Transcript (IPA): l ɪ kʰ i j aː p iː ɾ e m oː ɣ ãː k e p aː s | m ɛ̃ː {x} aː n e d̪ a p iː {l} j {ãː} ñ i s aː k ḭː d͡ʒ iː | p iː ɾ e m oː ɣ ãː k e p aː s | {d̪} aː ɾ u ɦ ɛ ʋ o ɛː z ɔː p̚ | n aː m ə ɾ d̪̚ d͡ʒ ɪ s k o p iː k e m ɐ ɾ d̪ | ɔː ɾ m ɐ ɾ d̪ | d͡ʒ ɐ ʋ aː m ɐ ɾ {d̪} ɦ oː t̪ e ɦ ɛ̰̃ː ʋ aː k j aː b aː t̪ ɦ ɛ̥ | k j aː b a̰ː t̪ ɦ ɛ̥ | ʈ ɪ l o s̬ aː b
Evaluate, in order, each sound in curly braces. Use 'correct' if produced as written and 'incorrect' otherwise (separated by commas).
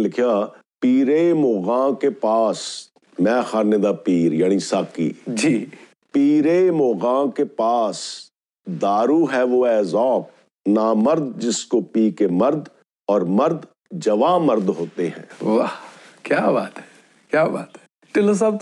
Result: correct, incorrect, incorrect, correct, correct